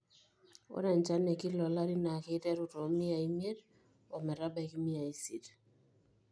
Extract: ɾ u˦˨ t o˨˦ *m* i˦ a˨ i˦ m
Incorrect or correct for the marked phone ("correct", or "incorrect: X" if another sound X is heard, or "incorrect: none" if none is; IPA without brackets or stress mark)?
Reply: correct